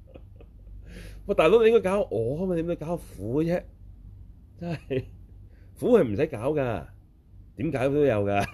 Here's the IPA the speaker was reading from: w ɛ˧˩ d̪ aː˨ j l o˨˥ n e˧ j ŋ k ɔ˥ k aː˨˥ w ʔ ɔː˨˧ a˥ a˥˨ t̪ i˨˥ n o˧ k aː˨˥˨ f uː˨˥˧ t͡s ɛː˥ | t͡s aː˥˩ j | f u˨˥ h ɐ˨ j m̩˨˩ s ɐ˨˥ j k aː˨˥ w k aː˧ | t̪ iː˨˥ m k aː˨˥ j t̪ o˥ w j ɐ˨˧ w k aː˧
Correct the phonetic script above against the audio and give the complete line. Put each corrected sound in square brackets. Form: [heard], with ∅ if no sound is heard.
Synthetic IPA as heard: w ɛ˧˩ [t̪] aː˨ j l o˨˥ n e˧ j ŋ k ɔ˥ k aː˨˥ w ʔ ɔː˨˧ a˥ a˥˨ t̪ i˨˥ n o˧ k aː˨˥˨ f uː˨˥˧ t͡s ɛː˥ | t͡s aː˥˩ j | f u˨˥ h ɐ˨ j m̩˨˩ s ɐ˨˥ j k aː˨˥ w k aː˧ | t̪ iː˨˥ m k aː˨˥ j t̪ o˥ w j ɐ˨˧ w k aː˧